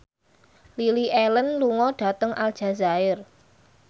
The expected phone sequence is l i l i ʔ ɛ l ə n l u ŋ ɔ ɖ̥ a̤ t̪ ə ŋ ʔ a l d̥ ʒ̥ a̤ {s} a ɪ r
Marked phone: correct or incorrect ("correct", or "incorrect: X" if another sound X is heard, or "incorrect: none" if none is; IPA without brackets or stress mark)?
incorrect: z